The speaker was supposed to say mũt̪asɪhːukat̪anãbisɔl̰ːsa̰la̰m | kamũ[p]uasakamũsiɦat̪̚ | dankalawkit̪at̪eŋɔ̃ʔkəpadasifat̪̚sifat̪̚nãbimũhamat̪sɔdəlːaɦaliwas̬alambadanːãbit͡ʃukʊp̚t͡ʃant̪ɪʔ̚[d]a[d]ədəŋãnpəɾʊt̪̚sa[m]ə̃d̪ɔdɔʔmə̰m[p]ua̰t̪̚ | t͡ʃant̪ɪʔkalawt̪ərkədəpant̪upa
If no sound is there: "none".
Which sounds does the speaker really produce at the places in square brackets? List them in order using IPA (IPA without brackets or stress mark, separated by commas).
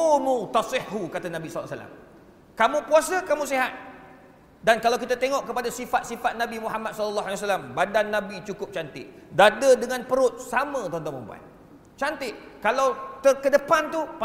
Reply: p, d, d, m, b